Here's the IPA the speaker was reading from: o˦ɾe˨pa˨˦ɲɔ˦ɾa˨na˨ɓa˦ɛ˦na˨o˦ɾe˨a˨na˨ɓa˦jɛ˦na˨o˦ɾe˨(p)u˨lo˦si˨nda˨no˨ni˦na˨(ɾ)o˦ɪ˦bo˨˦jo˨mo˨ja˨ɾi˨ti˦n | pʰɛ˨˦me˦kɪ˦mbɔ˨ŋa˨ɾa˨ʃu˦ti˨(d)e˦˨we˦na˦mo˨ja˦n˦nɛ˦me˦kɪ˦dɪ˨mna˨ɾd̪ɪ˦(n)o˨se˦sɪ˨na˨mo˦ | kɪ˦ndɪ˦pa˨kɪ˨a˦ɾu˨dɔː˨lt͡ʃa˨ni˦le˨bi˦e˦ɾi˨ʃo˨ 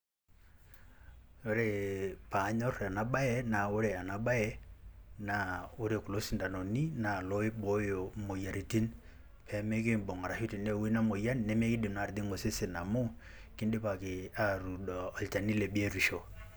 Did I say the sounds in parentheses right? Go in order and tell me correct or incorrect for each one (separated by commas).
incorrect, incorrect, incorrect, incorrect